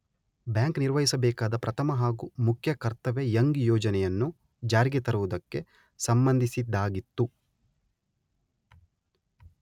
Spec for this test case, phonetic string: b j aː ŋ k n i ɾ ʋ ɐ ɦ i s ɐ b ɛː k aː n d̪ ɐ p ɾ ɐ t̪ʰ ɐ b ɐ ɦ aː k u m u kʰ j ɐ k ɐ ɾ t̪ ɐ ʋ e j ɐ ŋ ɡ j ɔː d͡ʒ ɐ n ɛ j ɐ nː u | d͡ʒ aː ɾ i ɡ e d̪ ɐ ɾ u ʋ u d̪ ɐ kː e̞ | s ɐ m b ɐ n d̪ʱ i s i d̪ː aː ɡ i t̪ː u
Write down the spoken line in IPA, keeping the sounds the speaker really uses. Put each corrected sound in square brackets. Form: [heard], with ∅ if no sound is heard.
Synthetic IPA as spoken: b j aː ŋ k n i ɾ ʋ ɐ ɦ i s ɐ b ɛː k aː [∅] d̪ ɐ p ɾ ɐ t̪ʰ ɐ [m] ɐ ɦ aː [ɡ] u m u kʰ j ɐ k ɐ ɾ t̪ ɐ ʋ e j ɐ ŋ ɡ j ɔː d͡ʒ ɐ n ɛ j ɐ nː u | d͡ʒ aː ɾ i ɡ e [t̪] ɐ ɾ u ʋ u d̪ ɐ kː e̞ | s ɐ m b ɐ n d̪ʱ i s i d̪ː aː ɡ i t̪ː u